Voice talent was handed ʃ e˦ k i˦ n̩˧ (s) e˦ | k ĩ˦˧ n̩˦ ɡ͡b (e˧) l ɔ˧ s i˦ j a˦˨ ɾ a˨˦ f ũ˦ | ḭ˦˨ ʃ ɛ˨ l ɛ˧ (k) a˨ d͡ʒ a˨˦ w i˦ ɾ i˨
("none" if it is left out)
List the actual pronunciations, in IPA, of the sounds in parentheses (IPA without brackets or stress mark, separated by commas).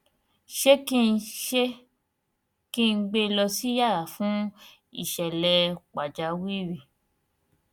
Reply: ʃ, e˧, k͡p